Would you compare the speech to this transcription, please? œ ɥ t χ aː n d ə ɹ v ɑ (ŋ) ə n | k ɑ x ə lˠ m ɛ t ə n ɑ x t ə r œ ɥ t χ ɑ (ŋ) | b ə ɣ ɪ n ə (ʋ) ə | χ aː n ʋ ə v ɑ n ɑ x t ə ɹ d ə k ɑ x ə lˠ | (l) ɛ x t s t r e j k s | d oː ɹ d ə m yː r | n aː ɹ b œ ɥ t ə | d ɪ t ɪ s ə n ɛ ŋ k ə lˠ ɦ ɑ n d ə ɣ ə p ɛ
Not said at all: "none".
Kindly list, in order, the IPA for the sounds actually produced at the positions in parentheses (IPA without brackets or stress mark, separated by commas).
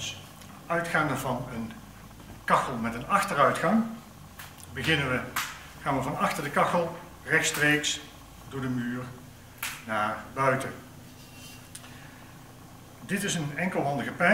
n, ŋ, ʋ, r